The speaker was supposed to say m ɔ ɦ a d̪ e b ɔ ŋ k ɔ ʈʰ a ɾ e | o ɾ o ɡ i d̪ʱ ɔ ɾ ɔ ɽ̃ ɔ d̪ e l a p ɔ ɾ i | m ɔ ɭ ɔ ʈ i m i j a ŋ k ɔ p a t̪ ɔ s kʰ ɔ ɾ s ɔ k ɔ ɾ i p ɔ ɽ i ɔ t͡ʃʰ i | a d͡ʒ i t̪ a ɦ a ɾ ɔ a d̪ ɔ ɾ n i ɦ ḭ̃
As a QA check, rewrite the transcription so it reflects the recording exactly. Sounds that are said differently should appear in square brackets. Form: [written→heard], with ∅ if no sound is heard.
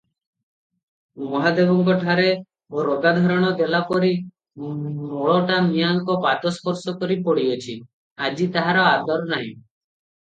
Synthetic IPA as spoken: m ɔ ɦ a d̪ e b ɔ ŋ k ɔ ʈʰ a ɾ e | o ɾ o ɡ [i→a] d̪ʱ ɔ ɾ ɔ ɽ̃ ɔ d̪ e l a p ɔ ɾ i | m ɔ ɭ ɔ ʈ [i→a] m i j a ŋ k ɔ p a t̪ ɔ s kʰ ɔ ɾ s ɔ k ɔ ɾ i p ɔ ɽ i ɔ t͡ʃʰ i | a d͡ʒ i t̪ a ɦ a ɾ ɔ a d̪ ɔ ɾ n [i→a] ɦ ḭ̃